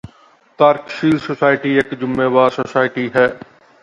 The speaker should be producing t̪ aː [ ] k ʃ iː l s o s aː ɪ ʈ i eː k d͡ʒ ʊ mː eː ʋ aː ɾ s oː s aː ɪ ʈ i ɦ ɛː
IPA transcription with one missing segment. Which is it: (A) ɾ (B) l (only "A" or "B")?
A